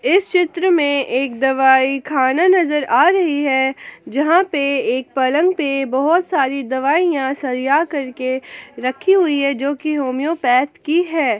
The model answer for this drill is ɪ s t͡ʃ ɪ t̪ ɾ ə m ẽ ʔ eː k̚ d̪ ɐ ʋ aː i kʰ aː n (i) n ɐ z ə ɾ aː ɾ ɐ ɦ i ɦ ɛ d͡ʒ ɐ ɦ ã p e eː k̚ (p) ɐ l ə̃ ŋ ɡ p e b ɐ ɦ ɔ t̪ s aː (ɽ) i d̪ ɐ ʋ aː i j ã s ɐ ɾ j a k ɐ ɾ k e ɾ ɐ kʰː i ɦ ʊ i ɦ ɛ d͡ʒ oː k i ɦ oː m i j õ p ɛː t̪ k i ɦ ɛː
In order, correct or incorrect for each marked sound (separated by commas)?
incorrect, correct, incorrect